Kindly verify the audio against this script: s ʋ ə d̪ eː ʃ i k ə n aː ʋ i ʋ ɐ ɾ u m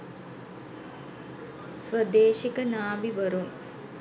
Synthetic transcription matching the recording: s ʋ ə d̪ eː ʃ i k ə n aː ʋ i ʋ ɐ ɾ u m

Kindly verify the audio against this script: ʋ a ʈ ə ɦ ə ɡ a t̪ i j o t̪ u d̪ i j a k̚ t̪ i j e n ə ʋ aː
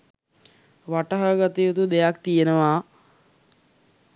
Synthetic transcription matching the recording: ʋ a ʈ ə ɦ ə ɡ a t̪ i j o t̪ u d̪ e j a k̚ t̪ i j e n ə ʋ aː

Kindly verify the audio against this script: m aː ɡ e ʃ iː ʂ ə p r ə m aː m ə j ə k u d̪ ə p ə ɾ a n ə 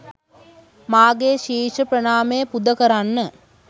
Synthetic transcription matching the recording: m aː ɡ e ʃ iː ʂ ə p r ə n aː m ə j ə p u d̪ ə k ə ɾ a nː ə

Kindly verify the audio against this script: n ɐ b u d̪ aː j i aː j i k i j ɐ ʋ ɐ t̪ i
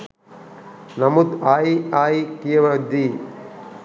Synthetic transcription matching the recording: n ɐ m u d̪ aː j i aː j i k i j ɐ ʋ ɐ d̪ i

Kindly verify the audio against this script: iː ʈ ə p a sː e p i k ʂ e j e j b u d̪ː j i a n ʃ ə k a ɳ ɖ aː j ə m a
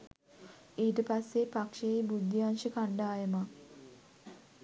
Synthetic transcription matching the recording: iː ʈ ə p a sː e p a k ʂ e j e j b u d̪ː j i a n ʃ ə k a ɳ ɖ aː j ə m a

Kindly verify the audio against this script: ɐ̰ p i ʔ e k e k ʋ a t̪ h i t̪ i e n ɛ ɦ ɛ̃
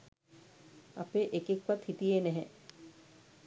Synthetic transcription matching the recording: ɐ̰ p e ʔ e k e k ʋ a t̪ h i t̪ i e n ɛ ɦ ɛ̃

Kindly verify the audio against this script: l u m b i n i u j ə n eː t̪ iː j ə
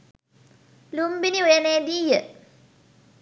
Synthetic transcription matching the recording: l u m b i n i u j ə n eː d̪ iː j ə

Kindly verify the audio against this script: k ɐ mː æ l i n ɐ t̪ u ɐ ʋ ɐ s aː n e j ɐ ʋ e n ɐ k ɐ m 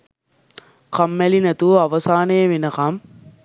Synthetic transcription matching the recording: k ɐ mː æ l i n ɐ t̪ u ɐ ʋ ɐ s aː n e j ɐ ʋ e n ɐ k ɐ m

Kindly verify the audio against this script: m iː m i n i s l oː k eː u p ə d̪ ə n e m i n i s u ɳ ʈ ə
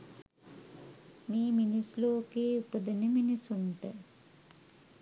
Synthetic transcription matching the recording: m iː m i n i s l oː k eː u p ə d̪ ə n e m i n i s u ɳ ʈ ə

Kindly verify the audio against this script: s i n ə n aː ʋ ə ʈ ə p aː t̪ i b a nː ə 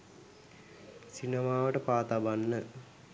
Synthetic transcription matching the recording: s i n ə m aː ʋ ə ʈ ə p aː t̪ a b a nː ə

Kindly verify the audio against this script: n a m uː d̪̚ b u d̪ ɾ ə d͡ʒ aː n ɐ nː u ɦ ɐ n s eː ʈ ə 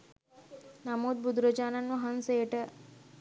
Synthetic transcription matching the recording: n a m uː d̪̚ b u d̪ ɾ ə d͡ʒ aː n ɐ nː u ɦ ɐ n s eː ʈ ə

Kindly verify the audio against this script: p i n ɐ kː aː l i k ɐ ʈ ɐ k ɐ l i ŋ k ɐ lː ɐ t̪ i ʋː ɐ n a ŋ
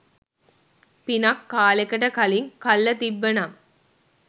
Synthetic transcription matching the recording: p i n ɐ kː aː l e k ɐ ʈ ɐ k ɐ l i ŋ k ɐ lː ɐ t̪ i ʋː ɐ n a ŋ

